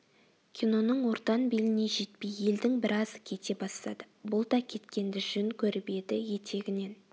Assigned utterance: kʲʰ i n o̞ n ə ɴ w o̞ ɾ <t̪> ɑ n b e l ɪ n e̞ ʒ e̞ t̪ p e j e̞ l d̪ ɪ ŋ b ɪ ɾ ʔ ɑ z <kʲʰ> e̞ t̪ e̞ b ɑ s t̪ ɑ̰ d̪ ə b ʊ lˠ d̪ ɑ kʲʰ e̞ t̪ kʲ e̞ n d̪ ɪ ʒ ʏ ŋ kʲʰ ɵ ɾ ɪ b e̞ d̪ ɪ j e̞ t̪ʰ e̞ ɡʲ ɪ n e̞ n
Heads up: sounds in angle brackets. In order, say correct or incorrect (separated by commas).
correct, correct